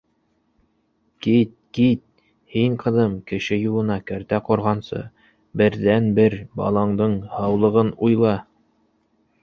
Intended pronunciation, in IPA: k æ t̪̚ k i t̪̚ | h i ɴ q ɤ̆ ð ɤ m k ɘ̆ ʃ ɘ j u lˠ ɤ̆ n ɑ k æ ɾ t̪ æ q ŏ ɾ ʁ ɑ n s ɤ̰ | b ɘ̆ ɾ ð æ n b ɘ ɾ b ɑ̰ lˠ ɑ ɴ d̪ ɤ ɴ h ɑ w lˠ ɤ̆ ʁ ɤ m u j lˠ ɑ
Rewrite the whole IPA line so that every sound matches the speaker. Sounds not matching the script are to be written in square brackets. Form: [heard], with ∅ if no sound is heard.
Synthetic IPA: k [i] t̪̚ k i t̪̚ | h i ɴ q ɤ̆ ð ɤ m k ɘ̆ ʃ ɘ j u lˠ ɤ̆ n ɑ k æ ɾ t̪ æ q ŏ ɾ ʁ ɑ n s ɤ̰ | b ɘ̆ ɾ ð æ n b ɘ ɾ b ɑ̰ lˠ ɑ ɴ d̪ ɤ ɴ h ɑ w lˠ ɤ̆ ʁ ɤ [n] u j lˠ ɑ